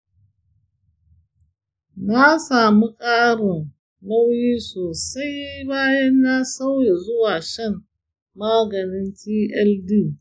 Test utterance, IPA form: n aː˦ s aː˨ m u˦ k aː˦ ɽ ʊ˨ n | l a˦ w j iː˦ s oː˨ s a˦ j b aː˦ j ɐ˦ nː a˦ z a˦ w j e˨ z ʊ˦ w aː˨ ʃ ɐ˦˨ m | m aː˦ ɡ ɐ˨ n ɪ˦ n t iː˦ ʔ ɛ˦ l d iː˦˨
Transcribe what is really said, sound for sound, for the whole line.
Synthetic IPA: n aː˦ s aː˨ m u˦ kʼ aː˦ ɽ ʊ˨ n | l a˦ w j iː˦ s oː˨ s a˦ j b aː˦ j ɐ˦ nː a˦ s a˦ w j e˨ z ʊ˦ w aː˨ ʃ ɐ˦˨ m | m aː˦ ɡ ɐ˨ n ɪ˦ n t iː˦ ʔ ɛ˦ l d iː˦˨